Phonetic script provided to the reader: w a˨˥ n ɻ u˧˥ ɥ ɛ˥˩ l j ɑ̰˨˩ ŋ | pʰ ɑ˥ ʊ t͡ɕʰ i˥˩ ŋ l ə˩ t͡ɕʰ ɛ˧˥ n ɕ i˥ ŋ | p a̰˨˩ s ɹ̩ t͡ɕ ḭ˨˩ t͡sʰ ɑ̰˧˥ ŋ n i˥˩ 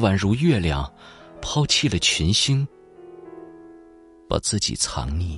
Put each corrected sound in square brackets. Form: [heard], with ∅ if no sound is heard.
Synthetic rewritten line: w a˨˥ n ɻ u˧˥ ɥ ɛ˥˩ l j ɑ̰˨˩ ŋ | pʰ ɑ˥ ʊ t͡ɕʰ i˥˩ [∅] l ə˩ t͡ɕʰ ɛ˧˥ n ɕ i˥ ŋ | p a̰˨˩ [t͡s] ɹ̩ t͡ɕ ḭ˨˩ t͡sʰ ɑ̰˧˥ ŋ n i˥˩